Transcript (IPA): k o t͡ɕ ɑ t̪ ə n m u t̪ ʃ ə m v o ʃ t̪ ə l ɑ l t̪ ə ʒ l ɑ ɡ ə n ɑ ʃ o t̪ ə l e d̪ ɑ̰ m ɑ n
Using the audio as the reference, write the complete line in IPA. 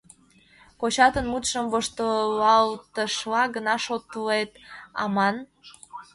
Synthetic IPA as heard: k o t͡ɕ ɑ t̪ ə n m u t̪ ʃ ə m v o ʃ t̪ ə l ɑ l t̪ ə ʃ l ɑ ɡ ə n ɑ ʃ o t̪ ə l e t̪ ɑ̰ m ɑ n